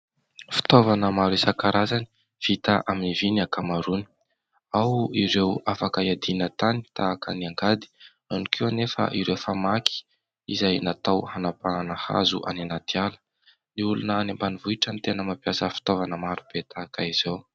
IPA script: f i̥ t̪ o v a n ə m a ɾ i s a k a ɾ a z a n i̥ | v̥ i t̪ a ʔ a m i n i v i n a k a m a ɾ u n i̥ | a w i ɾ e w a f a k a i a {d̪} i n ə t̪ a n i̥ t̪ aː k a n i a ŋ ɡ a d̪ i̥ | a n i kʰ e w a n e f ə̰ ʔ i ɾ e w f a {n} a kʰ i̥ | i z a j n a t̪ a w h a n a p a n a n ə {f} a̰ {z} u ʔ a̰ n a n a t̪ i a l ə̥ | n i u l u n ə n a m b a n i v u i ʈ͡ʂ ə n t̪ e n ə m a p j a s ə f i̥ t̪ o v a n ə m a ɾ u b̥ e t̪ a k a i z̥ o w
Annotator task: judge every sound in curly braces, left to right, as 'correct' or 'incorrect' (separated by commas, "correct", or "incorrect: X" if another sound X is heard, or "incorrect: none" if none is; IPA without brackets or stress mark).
correct, incorrect: m, incorrect: h, correct